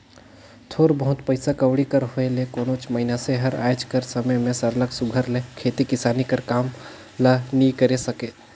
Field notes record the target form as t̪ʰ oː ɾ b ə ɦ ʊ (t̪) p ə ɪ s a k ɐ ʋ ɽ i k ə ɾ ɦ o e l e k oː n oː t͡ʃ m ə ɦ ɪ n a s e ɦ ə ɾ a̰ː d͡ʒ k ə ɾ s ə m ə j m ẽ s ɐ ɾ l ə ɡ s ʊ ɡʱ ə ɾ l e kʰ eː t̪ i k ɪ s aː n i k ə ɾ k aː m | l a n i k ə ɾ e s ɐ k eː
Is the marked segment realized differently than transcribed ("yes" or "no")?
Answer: no